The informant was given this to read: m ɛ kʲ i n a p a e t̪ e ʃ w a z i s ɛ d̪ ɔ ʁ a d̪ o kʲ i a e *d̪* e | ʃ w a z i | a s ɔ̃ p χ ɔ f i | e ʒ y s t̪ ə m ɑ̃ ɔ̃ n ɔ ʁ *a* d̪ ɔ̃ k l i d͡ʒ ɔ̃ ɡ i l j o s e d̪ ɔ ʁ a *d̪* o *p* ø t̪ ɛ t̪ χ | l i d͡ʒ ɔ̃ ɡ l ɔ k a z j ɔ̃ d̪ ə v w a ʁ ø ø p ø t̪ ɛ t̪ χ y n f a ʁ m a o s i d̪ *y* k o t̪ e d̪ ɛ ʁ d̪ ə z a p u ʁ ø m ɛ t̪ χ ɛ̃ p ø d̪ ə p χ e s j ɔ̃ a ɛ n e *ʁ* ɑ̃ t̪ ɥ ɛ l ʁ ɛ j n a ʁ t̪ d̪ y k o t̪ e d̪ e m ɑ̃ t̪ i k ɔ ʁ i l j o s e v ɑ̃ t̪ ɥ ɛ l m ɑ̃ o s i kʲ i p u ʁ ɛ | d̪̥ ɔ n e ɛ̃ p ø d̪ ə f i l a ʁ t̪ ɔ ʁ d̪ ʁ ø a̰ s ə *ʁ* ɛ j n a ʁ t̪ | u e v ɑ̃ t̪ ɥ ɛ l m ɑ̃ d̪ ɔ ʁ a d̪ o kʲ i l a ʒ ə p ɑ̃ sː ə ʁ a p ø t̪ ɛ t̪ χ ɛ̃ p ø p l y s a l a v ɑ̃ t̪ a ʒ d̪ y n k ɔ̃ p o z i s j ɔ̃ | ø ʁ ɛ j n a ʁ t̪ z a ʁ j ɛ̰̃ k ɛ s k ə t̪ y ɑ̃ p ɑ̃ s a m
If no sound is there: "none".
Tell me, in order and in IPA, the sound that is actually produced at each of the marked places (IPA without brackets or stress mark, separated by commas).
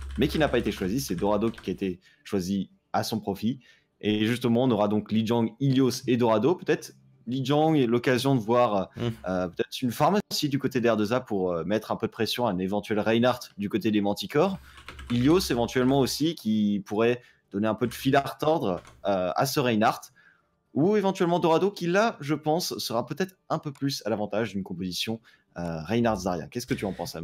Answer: t̪, a, d̪, p, y, v, ʁ